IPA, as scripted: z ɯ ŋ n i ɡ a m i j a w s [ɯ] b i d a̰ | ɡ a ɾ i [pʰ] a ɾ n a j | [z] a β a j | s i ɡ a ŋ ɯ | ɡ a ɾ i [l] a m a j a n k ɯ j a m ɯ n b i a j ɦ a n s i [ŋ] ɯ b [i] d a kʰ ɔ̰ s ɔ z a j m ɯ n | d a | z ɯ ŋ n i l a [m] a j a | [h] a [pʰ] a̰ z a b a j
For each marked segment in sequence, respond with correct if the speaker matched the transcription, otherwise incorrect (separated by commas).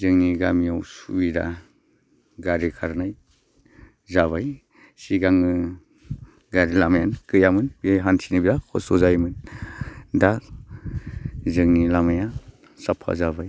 incorrect, incorrect, correct, correct, incorrect, correct, correct, incorrect, correct